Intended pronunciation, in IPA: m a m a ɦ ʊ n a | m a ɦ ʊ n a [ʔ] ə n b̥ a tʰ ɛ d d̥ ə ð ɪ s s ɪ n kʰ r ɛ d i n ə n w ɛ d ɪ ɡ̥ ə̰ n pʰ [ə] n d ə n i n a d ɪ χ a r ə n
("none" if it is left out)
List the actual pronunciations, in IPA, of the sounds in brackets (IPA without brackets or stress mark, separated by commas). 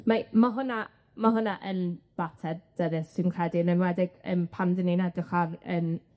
ʔ, a